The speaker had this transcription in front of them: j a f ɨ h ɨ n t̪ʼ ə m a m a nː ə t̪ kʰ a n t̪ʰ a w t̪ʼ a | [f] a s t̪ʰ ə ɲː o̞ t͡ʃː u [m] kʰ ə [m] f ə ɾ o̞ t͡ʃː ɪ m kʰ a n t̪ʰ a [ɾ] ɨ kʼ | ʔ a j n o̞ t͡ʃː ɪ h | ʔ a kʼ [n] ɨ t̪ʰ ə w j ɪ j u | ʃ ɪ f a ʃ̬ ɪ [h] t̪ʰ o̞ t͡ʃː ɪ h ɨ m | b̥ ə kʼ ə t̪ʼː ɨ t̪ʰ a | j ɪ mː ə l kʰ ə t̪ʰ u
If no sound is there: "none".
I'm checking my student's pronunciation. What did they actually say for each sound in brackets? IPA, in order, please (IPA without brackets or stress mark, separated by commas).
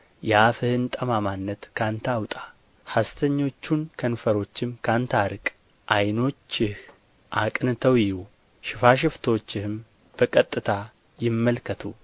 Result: h, n, n, ɾ, n, f